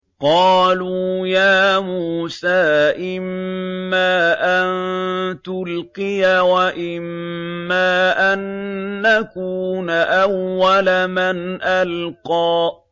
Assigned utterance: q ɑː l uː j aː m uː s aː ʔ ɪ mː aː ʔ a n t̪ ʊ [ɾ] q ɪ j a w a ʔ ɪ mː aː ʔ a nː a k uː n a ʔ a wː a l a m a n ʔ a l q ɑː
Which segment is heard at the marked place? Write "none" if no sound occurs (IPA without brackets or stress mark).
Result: l